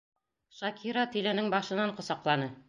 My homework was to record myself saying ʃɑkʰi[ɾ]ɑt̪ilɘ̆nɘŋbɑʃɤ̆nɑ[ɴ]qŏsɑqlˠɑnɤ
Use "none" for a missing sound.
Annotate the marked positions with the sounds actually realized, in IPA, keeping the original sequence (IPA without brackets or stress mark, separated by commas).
ɾ, ɴ